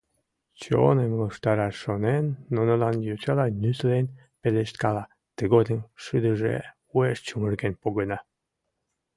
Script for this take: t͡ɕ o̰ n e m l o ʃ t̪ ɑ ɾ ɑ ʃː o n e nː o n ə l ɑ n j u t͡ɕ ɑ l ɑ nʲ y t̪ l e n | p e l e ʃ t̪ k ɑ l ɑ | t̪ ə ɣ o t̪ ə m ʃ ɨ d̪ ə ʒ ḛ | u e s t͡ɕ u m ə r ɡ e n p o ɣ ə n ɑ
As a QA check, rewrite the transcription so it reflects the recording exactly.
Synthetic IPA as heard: t͡ɕ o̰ n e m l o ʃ t̪ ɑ ɾ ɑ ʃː o n e nː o n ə l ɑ n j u t͡ɕ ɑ l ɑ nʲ y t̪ l e n | p e l e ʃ t̪ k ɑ l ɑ | t̪ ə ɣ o d̪ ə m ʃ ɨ d̪ ə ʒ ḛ | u e ʃ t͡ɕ u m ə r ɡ e n p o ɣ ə n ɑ